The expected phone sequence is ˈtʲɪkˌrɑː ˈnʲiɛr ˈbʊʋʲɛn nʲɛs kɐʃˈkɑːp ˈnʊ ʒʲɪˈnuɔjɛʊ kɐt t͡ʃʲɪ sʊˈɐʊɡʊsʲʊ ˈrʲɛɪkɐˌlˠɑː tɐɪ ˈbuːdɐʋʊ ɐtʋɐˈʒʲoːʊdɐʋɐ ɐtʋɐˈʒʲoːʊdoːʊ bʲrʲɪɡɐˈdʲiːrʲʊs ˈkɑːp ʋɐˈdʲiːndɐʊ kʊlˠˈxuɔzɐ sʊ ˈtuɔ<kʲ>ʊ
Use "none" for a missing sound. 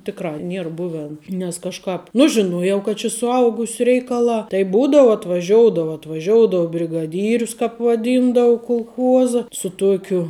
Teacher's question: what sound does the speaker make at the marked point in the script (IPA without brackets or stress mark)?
kʲ